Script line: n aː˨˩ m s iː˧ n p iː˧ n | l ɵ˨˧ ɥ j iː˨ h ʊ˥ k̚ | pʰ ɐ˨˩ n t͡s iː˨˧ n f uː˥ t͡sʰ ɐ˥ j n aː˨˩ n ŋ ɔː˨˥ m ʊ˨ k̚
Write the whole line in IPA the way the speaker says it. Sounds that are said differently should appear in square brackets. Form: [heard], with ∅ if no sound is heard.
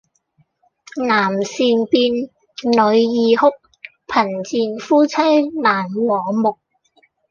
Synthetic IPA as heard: n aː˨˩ m s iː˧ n p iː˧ n | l ɵ˨˧ ɥ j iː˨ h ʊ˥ k̚ | pʰ ɐ˨˩ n t͡s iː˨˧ n f uː˥ t͡sʰ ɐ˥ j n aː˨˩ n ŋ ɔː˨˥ m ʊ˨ k̚